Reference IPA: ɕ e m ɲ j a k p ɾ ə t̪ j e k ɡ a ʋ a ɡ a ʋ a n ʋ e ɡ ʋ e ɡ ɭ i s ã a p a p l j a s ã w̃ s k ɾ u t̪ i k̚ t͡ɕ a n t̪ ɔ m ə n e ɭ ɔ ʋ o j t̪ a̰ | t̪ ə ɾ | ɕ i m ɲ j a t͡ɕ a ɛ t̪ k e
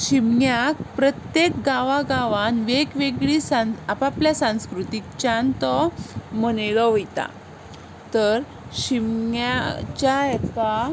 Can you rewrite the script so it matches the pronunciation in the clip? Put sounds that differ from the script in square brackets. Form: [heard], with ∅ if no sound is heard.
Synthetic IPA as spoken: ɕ [i] m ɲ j a k p ɾ ə t̪ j e k ɡ a ʋ a ɡ a ʋ a n ʋ e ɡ ʋ e ɡ ɭ i s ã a p a p l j a s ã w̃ s k ɾ u t̪ i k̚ t͡ɕ a n t̪ ɔ m ə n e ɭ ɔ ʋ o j t̪ a̰ | t̪ ə ɾ | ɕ i m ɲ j a t͡ɕ a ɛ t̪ k [a]